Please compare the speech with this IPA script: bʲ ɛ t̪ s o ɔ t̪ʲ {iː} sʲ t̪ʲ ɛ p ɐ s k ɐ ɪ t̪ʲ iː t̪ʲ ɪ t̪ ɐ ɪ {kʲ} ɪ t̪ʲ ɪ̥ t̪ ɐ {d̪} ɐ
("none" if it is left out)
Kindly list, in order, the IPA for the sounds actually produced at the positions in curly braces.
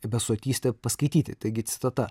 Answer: iː, ɡʲ, t̪

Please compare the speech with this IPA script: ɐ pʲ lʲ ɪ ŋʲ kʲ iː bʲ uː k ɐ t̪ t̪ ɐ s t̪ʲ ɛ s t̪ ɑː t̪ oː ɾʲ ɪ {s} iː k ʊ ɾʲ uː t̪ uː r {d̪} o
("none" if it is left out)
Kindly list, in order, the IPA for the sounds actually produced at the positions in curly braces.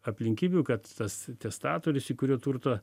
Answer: s, t̪

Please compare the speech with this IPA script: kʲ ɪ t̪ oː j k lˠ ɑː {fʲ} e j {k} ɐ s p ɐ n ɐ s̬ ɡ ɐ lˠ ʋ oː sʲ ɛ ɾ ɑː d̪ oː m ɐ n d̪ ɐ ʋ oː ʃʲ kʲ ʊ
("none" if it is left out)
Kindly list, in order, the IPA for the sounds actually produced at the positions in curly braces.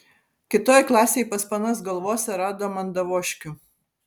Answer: sʲ, p

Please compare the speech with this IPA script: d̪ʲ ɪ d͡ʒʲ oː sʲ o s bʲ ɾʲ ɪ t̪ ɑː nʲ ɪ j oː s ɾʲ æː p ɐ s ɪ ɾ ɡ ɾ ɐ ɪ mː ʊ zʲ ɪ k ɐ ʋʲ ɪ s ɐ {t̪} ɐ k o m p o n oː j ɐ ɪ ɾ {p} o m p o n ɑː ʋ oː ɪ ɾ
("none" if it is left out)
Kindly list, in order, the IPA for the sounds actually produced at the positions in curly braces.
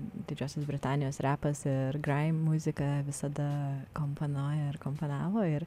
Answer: d̪, k

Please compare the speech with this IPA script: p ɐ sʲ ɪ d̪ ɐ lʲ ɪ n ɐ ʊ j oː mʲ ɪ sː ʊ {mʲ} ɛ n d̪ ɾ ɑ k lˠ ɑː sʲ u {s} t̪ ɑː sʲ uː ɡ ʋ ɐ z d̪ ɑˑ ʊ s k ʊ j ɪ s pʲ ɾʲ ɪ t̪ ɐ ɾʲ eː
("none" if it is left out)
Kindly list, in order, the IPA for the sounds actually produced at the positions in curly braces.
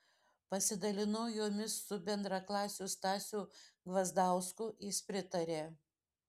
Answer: bʲ, s

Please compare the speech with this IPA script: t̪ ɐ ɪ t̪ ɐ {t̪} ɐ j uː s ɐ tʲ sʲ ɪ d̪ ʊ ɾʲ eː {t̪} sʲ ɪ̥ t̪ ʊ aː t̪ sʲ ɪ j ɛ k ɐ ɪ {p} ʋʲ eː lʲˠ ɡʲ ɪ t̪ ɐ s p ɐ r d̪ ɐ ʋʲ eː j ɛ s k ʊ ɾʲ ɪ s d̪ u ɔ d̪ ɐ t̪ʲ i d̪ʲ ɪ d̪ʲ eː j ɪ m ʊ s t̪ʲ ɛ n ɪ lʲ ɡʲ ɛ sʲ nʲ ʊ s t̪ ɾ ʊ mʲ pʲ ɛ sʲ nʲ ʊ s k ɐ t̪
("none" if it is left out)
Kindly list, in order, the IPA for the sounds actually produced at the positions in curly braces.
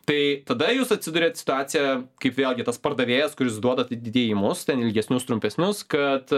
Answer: d̪, t̪, p

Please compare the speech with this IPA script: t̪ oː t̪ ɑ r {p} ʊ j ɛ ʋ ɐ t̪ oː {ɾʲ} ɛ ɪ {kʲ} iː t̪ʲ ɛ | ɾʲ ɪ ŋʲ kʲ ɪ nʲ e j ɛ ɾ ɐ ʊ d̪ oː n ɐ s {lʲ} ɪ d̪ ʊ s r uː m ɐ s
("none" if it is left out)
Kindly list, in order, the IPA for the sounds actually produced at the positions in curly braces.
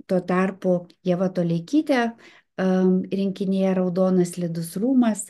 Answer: p, lʲ, kʲ, lʲ

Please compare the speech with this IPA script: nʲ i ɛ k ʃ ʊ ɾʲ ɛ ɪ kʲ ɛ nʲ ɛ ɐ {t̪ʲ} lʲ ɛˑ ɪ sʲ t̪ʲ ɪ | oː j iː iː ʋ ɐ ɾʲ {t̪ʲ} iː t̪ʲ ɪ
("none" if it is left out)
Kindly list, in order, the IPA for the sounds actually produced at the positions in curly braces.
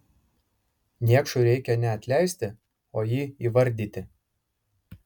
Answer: t̪ʲ, d̪ʲ

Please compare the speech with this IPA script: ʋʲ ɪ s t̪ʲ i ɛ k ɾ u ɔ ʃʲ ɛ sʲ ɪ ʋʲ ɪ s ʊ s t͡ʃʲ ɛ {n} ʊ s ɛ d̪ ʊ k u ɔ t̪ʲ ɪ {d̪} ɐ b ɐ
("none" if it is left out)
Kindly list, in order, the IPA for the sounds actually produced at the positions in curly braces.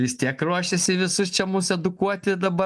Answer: m, d̪

